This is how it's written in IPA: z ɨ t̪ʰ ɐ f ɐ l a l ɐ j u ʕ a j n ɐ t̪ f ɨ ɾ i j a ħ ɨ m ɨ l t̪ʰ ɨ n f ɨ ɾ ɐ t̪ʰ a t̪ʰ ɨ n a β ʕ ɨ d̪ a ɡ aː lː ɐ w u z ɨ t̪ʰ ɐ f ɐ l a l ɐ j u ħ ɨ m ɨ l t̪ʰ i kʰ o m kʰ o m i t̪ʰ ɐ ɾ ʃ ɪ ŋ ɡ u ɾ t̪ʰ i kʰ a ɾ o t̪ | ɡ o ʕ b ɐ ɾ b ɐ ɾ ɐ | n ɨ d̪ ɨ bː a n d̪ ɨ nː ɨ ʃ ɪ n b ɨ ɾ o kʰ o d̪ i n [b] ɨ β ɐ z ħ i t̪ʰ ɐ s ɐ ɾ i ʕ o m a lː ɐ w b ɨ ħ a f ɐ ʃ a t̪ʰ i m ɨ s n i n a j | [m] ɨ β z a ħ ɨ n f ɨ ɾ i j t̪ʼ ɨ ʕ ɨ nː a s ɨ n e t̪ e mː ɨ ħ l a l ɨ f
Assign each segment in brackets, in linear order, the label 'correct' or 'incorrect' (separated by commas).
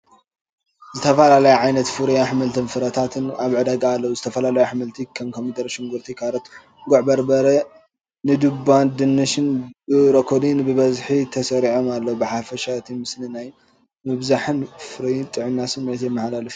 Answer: correct, correct